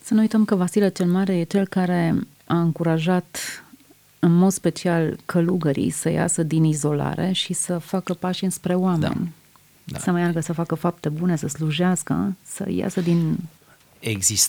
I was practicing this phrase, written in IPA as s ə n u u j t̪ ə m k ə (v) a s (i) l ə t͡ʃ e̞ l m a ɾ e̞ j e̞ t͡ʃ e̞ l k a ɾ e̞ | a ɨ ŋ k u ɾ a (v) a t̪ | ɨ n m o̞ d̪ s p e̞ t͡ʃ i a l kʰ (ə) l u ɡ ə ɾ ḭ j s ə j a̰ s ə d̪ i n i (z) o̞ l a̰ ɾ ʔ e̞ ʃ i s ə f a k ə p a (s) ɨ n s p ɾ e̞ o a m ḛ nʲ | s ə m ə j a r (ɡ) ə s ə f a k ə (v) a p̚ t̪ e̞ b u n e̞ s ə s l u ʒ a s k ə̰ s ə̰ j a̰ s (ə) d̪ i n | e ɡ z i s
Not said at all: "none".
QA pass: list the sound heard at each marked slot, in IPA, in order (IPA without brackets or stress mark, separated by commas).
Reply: v, i, ʒ, ə, z, ʃ, ɡ, f, ə